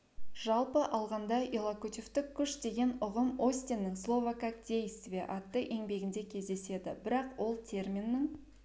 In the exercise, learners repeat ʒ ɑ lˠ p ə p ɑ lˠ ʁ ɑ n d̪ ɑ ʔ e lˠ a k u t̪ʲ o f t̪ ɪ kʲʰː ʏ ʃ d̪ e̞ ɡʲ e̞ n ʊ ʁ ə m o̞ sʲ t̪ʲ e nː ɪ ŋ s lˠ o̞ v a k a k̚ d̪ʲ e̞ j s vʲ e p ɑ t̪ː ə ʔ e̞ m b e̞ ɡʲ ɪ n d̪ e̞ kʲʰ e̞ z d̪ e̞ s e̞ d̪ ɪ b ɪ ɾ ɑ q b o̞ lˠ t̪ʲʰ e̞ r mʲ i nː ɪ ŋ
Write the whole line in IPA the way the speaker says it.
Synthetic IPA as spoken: ʒ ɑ lˠ p ə ʔ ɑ lˠ ʁ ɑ n d̪ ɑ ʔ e lˠ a k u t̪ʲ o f t̪ ɪ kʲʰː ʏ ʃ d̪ e̞ ɡʲ e̞ n ʊ ʁ ə m o̞ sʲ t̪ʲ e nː ɪ ŋ s lˠ o̞ v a k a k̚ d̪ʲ e̞ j s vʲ e ʔ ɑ t̪ː ə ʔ e̞ ŋ b e̞ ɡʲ ɪ n d̪ e̞ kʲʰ e̞ z d̪ e̞ s e̞ d̪ ɪ b ɪ ɾ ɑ q w o̞ lˠ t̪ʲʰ e̞ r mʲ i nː ɪ ŋ